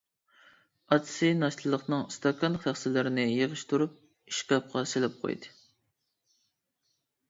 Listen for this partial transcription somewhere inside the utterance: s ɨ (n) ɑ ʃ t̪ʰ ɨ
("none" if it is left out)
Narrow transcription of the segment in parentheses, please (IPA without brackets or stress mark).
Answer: n